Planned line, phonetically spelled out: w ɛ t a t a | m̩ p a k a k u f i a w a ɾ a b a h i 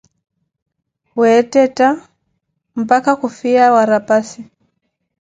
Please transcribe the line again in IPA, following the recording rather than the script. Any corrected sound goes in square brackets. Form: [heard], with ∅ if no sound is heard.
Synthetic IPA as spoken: w ɛ t [ɛ] t a | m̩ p a k a k u f i a w a ɾ a [p] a [s] i